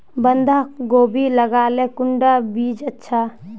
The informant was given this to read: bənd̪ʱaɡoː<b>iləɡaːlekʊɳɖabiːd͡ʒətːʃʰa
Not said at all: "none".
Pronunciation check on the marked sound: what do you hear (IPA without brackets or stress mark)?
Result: b